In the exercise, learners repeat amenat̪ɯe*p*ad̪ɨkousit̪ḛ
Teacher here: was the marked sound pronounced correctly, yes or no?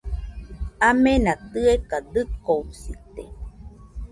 no